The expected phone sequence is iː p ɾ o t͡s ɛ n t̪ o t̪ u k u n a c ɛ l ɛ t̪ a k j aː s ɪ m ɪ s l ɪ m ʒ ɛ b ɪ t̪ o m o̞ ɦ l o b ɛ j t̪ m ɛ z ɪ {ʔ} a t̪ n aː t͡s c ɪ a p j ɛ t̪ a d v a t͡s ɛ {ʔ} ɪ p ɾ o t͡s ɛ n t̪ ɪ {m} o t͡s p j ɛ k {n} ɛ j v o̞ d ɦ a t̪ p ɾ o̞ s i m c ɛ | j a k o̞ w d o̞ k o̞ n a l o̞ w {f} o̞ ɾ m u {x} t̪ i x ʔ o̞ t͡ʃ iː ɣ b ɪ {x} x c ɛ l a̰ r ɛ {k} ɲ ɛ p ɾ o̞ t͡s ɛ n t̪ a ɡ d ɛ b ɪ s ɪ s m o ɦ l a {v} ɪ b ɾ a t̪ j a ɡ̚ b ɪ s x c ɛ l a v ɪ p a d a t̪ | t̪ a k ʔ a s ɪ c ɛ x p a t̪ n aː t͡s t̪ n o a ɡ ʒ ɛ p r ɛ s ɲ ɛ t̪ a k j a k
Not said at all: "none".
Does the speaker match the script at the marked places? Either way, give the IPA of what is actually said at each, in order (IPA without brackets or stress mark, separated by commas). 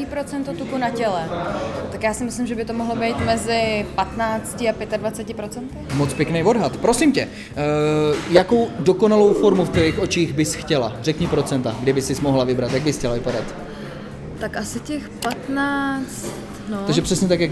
p, c, m, n, f, f, s, k, v